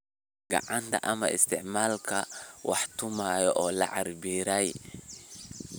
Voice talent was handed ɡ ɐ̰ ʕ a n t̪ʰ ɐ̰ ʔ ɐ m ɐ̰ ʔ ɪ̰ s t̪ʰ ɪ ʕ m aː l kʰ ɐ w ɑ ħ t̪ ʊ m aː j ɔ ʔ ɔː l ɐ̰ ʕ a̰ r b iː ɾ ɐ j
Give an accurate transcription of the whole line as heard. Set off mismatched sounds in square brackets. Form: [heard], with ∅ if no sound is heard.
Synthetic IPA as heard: ɡ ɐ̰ ʕ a n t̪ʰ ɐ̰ ʔ ɐ m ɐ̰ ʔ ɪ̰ s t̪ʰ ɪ ʕ m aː l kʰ ɐ w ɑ ħ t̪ ʊ m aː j ɔ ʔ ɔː l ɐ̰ ʕ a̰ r b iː ɾ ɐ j